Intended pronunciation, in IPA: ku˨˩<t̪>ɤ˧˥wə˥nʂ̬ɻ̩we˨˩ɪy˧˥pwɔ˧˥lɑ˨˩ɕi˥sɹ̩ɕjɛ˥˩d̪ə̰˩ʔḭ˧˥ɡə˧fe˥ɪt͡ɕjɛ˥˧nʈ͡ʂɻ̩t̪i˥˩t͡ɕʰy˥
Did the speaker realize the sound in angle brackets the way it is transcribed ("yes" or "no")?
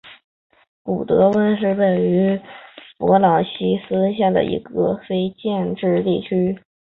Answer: yes